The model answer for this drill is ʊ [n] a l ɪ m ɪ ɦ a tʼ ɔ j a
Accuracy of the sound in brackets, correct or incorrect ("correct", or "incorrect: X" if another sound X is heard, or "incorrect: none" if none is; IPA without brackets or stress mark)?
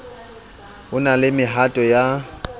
correct